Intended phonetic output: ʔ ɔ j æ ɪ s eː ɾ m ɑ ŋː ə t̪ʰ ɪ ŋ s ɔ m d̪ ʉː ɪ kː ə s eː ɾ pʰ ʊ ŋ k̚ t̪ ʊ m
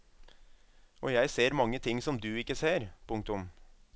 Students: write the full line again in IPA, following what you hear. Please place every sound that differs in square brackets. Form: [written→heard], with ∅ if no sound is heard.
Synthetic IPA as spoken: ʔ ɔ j æ ɪ s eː ɾ m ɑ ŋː ə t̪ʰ ɪ ŋ s ɔ m d̪ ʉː ɪ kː ə s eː ɾ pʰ ʊ ŋ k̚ t̪ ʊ m